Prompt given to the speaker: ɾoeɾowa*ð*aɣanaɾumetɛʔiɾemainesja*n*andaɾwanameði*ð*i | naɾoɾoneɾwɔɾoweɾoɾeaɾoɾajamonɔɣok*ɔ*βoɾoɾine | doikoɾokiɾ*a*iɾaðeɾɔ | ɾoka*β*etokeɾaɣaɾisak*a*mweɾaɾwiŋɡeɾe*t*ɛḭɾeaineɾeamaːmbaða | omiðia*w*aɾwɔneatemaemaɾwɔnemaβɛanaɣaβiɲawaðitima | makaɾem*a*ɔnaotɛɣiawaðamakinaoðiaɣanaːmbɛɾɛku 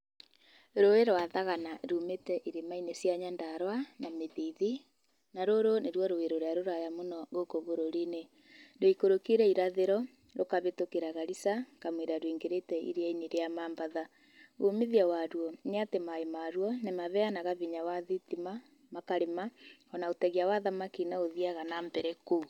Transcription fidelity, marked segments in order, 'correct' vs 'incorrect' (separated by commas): correct, incorrect, correct, incorrect, incorrect, correct, correct, correct, correct, correct